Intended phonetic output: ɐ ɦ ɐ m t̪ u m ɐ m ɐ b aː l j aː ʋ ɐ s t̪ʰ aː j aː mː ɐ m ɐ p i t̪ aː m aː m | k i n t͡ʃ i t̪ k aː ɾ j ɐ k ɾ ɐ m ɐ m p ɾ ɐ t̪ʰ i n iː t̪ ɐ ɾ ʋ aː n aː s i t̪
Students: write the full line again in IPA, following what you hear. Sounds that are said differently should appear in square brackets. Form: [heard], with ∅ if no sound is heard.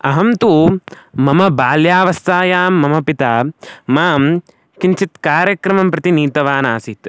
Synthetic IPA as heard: ɐ ɦ ɐ m t̪ u m ɐ m ɐ b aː l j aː ʋ ɐ s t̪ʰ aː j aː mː ɐ m ɐ p i t̪ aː m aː m | k i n t͡ʃ i t̪ k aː ɾ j ɐ k ɾ ɐ m ɐ m p ɾ ɐ [t̪] i n iː t̪ ɐ [∅] ʋ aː n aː s i t̪